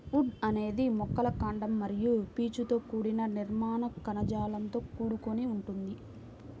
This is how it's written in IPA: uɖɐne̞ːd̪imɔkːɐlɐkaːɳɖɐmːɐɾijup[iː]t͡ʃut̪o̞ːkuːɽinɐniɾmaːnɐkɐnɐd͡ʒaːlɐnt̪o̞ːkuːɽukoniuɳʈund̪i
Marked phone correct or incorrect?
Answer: correct